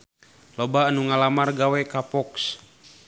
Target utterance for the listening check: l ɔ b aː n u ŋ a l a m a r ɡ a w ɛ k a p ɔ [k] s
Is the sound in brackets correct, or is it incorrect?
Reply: correct